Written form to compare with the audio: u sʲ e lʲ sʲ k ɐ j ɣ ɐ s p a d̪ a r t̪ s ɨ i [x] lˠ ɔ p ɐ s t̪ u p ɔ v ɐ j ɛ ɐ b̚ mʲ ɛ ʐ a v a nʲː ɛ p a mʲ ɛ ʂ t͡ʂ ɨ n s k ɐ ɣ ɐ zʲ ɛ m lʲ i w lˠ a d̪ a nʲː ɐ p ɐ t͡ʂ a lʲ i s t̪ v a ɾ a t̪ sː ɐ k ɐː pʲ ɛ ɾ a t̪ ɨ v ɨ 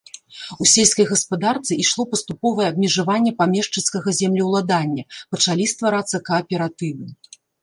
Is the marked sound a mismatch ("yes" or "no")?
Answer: yes